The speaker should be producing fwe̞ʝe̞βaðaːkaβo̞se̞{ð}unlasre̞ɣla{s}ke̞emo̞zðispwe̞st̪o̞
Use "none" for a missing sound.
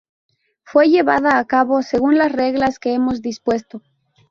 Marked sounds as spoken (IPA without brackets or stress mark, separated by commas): ɣ, s